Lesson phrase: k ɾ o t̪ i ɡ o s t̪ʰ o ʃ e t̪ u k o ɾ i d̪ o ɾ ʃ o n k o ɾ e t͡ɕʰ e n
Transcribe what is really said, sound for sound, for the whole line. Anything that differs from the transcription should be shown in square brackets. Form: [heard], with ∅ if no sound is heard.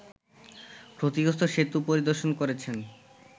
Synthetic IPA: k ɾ o t̪ i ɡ o s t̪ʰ o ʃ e t̪ u [p] o ɾ i d̪ o ɾ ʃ o n k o ɾ e t͡ɕʰ e n

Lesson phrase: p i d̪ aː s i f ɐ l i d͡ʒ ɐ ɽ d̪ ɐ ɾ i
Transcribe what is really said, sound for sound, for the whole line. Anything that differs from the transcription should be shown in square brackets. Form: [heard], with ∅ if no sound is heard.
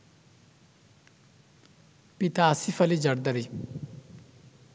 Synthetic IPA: p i [t̪] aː s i f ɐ l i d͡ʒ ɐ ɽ d̪ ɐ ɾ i

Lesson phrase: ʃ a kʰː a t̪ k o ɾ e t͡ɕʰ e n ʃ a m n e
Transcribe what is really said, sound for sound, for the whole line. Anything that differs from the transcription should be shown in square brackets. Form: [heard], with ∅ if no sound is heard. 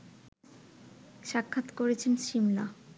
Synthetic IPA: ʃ a kʰː a t̪ k o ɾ e t͡ɕʰ e n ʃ [i] m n [a]

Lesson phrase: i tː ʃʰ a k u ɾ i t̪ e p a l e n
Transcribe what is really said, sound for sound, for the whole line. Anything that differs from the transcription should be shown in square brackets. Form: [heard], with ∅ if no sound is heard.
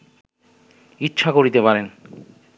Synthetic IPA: i tː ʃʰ a k [o] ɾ i t̪ e p a [ɾ] e n

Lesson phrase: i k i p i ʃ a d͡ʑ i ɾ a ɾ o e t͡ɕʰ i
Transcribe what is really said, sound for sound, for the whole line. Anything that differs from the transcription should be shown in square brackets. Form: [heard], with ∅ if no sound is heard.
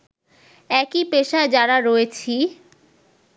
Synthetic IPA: [ɛ] k i p [e] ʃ a d͡ʑ [a] ɾ a ɾ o e t͡ɕʰ i

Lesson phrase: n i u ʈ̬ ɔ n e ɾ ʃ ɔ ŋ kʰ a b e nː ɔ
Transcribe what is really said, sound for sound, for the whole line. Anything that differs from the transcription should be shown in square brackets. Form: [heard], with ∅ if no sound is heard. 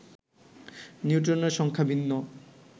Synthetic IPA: n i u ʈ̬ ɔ n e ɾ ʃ ɔ ŋ kʰ a b [i] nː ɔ

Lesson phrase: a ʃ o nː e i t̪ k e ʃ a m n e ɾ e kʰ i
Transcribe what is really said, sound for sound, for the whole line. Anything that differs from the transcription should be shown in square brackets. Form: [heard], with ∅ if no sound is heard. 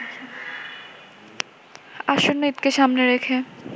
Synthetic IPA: a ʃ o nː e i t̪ k e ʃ a m n e ɾ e kʰ [e]

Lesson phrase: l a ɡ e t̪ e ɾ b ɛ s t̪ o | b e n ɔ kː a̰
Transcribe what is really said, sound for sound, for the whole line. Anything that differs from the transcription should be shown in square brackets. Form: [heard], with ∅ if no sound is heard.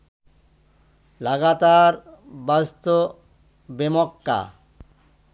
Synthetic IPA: l a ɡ [a] t̪ [a] ɾ b [a] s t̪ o | b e [m] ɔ kː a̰

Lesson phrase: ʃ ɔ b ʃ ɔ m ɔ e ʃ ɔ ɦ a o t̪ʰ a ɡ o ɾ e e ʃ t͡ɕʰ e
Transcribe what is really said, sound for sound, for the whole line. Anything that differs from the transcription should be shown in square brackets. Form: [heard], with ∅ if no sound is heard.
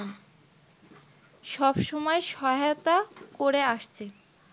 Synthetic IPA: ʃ ɔ b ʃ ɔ m ɔ e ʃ ɔ ɦ a o [t̪] a [k] o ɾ e [a] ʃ t͡ɕʰ e

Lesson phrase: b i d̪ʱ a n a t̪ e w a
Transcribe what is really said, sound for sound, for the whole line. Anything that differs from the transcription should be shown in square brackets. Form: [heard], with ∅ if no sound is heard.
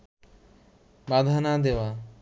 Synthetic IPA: b [a] d̪ʱ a n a [d̪] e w a

